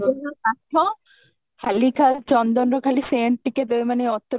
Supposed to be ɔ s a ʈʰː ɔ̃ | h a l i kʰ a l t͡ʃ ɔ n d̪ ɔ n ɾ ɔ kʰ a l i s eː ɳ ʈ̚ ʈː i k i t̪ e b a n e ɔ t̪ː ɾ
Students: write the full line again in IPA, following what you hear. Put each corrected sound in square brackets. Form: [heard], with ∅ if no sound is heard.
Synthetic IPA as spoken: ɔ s a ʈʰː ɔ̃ | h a l i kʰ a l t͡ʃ ɔ n d̪ ɔ n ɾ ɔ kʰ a l i s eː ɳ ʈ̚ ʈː i k [e] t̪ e [m] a n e ɔ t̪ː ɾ